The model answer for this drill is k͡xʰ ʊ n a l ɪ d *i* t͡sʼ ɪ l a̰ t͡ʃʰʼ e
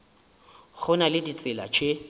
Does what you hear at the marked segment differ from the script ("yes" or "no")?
no